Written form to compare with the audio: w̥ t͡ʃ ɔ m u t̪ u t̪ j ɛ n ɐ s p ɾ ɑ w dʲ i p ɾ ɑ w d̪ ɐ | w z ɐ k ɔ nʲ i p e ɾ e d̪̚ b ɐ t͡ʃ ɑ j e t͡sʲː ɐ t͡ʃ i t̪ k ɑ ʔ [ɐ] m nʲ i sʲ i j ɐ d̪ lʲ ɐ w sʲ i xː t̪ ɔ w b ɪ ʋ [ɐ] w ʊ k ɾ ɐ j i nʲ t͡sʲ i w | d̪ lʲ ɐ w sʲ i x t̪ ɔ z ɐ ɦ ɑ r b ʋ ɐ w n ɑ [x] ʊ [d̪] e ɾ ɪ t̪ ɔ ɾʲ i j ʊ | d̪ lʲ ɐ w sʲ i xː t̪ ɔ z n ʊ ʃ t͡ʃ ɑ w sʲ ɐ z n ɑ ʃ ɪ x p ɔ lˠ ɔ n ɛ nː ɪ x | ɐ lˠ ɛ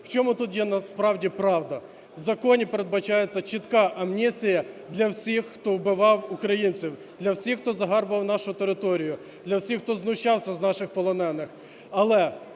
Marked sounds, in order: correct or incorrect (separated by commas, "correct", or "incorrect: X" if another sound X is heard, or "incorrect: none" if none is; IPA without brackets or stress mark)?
correct, incorrect: ɑ, incorrect: ʃ, incorrect: t̪